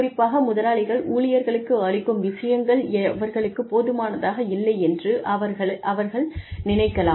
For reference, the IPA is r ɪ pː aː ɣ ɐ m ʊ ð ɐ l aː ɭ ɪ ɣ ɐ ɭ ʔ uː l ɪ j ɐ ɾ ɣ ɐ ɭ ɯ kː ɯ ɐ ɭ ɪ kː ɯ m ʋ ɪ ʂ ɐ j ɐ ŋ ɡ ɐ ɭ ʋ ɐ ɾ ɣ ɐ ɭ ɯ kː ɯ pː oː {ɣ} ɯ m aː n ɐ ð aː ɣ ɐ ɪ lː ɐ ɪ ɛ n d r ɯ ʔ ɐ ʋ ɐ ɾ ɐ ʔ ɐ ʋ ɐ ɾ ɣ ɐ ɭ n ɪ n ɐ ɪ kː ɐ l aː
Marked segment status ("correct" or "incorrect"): incorrect